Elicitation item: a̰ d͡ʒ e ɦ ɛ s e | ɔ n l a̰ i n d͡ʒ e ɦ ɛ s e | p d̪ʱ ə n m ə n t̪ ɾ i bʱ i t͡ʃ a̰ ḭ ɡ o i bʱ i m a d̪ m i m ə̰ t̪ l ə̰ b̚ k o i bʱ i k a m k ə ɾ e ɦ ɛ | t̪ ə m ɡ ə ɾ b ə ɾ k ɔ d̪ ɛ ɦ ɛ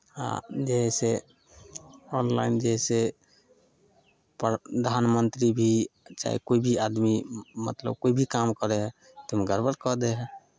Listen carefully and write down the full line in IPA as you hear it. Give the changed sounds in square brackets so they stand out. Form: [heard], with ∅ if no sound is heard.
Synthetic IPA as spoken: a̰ d͡ʒ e ɦ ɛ s e | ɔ n l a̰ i n d͡ʒ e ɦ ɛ s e | p d̪ʱ [a] n m ə n t̪ ɾ i bʱ i t͡ʃ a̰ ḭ [k] o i bʱ i [∅] a d̪ m i m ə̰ t̪ l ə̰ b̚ k o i bʱ i k a m k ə ɾ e ɦ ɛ | t̪ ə m ɡ ə ɾ b ə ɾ k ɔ d̪ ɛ ɦ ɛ